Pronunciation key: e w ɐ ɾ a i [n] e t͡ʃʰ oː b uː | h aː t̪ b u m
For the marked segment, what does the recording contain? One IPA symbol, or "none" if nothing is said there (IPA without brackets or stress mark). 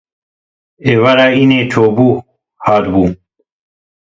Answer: n